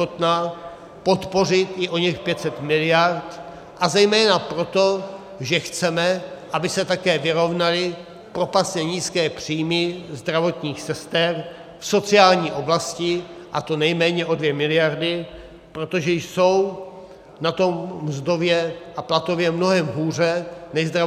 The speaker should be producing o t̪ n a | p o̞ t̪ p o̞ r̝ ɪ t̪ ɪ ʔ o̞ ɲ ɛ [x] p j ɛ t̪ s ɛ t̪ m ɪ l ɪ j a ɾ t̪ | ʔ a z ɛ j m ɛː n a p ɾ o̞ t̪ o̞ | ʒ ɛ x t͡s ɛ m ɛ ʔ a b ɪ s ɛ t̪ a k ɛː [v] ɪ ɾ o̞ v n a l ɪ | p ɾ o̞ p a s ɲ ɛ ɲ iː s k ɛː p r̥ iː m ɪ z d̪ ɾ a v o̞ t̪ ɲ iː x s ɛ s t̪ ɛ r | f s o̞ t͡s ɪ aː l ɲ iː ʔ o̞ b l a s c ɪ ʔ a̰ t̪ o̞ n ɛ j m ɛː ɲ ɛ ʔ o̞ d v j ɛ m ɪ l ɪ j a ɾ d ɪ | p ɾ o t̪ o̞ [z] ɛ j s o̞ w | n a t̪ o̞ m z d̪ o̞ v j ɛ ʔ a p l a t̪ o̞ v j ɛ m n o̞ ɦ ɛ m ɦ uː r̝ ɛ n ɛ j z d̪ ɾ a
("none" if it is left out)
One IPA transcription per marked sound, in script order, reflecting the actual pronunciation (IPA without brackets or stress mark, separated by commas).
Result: x, v, ʒ